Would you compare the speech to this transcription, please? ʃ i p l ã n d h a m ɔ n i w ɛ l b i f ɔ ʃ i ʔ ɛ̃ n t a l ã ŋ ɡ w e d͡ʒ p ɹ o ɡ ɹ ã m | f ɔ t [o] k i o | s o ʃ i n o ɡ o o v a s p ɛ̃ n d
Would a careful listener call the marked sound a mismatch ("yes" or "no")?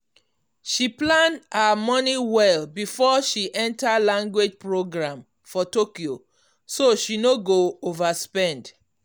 no